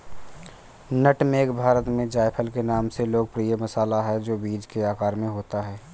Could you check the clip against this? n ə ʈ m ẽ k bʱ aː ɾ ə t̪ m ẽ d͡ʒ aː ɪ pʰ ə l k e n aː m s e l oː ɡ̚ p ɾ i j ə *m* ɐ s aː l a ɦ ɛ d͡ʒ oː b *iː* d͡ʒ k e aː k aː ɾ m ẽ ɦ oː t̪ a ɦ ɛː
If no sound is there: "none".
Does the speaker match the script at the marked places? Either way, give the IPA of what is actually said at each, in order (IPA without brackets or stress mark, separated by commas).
m, iː